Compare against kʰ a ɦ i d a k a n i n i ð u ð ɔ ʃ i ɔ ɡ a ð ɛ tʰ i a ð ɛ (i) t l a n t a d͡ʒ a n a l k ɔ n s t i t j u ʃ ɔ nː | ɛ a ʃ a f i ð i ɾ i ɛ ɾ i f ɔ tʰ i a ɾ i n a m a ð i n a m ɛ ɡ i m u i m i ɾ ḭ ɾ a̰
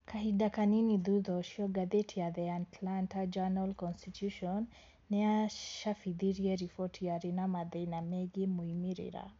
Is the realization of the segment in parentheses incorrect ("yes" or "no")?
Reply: yes